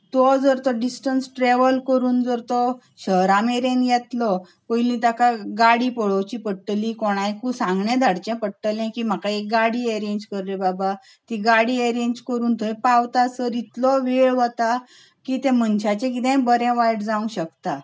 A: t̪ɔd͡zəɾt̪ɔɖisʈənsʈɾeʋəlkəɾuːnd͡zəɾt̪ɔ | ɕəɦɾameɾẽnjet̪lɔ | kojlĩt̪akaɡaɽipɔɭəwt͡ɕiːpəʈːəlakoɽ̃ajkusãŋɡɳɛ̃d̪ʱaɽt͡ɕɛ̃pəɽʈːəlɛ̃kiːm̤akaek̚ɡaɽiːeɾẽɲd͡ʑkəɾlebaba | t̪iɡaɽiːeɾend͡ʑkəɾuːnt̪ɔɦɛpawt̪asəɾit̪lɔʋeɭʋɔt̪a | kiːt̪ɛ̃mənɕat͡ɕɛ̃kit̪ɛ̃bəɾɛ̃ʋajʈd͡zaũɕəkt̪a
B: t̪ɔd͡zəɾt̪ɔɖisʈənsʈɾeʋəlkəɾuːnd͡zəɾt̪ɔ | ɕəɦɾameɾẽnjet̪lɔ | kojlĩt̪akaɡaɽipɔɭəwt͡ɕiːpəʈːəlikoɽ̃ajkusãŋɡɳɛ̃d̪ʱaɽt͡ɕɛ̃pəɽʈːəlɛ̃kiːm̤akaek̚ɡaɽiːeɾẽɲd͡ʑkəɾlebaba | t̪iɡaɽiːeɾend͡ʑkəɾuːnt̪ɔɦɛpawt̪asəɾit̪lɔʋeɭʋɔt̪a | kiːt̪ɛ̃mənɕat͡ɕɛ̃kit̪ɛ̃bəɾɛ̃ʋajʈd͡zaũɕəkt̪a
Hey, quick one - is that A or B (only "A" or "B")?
B